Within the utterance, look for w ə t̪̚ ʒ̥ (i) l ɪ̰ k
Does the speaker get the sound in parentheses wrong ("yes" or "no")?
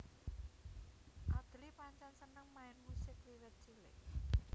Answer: no